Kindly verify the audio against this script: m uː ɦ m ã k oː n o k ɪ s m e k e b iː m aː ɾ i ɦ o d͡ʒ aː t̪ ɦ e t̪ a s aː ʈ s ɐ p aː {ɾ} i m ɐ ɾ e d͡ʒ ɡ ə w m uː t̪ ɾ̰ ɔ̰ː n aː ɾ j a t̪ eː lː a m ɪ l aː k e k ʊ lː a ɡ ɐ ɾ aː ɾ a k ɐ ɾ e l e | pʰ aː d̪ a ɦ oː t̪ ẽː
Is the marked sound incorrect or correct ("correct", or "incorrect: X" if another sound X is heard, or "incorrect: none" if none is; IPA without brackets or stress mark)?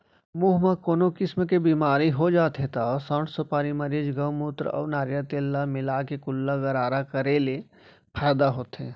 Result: correct